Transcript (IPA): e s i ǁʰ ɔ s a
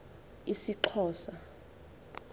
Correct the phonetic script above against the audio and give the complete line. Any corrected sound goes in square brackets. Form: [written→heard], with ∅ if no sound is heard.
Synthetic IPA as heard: [e→i] s i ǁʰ [ɔ→ɔː] s a